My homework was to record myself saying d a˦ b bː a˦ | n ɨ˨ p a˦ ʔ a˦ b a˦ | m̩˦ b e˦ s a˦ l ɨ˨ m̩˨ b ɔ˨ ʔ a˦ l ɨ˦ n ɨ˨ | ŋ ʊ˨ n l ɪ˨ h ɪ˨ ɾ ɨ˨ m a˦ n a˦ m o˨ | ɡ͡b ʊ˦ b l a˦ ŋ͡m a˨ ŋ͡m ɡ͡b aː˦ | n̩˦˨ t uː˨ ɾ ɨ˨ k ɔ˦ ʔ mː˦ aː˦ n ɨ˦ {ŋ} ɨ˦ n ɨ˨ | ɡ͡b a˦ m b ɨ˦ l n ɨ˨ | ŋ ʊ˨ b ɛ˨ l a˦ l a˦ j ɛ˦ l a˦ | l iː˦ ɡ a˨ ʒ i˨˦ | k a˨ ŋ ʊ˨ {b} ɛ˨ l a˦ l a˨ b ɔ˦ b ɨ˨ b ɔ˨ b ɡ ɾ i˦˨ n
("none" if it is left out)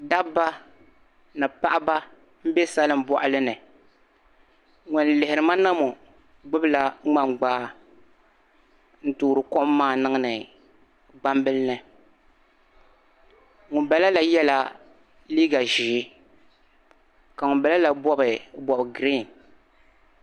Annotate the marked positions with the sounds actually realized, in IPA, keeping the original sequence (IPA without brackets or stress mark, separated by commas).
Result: ŋ, b